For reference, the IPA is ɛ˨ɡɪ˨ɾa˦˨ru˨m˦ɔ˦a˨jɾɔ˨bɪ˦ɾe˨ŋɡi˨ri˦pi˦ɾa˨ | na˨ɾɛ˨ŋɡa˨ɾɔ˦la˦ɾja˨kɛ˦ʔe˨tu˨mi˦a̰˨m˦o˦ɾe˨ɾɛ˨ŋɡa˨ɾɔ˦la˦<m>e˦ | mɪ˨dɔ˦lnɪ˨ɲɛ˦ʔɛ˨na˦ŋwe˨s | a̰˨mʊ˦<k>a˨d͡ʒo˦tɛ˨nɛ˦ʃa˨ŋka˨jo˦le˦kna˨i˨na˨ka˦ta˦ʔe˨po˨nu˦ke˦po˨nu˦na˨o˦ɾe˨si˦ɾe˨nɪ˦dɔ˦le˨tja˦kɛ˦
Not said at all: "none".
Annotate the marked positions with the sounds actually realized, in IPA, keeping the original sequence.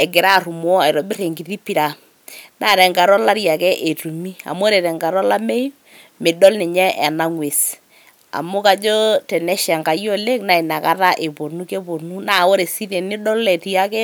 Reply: m, k

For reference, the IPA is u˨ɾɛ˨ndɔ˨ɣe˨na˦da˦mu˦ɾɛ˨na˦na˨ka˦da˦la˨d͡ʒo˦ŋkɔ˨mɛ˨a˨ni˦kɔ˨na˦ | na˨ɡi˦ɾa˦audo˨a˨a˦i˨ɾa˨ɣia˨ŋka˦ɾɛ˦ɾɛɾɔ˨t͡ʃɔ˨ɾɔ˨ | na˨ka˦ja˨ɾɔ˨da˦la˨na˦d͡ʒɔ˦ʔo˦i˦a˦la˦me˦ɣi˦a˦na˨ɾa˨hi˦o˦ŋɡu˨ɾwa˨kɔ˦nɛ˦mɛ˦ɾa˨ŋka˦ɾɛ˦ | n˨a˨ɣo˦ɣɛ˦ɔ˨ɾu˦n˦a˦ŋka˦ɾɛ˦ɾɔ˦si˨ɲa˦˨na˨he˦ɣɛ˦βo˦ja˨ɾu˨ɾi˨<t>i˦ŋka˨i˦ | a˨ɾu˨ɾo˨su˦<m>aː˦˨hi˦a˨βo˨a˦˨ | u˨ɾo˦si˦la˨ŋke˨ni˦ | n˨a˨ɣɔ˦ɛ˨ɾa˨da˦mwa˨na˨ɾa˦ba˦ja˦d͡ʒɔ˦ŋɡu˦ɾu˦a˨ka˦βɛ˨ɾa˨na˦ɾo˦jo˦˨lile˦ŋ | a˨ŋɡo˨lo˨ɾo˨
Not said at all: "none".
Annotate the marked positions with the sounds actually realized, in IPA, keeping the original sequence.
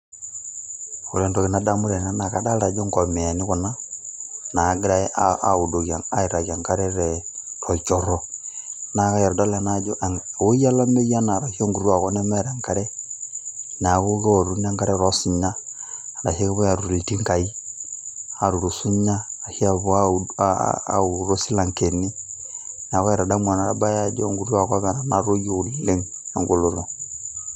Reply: t, ɲ

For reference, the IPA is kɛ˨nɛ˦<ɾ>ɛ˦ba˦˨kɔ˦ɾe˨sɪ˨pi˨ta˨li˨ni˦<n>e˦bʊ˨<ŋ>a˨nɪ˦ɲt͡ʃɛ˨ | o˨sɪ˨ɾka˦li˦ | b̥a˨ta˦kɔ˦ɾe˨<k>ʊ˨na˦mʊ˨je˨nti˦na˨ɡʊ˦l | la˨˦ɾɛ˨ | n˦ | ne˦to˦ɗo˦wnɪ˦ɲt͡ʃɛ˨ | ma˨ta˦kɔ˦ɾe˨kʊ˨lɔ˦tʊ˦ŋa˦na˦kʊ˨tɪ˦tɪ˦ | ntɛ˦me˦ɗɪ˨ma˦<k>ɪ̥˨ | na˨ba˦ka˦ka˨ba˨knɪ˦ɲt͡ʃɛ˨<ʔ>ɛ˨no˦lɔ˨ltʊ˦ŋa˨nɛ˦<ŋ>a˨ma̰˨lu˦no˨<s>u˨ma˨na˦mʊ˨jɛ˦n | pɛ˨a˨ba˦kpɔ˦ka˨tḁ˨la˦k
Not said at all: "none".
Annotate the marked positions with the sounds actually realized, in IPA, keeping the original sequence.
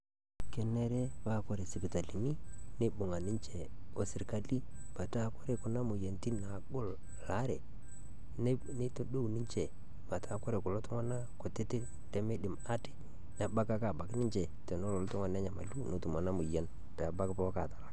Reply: ɾ, n, ŋ, k, t, t, ɲ, t

